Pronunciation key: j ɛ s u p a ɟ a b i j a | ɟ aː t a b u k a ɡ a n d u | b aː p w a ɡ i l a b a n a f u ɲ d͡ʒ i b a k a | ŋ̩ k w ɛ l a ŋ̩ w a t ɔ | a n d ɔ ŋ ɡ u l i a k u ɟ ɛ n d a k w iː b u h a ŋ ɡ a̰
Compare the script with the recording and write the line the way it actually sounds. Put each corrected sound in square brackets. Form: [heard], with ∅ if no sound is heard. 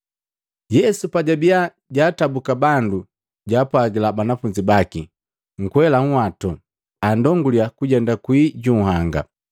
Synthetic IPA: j ɛ s u p a ɟ a b i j a | ɟ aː t a b u k a [b] a n d u | [ɟ] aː p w a ɡ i l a b a n a f u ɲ d͡ʒ i b a k [i] | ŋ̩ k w ɛ l a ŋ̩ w a t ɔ | a n d ɔ ŋ ɡ u l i a k u ɟ ɛ n d a k w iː [ɟ] u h a ŋ ɡ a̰